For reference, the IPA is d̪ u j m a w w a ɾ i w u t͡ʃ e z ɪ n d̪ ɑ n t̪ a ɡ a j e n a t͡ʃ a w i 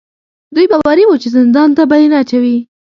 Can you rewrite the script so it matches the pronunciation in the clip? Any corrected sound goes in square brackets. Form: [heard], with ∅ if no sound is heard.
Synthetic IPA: d̪ u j [b] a w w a ɾ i w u t͡ʃ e z ɪ n d̪ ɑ n t̪ a [b] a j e n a t͡ʃ a w i